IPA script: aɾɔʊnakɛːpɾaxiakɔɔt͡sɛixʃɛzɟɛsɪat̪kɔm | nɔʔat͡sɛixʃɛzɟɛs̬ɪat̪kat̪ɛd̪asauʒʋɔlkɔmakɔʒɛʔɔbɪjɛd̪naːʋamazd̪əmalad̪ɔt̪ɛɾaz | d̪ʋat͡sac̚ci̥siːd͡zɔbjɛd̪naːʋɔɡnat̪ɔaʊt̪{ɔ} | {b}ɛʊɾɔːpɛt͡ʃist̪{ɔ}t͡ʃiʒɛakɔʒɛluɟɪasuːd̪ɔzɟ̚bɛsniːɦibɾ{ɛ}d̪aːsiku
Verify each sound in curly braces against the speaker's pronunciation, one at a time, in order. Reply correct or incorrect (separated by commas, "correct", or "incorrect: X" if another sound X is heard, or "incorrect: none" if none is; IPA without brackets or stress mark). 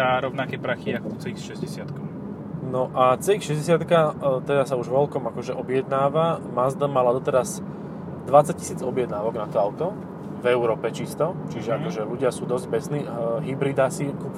correct, incorrect: v, correct, incorrect: i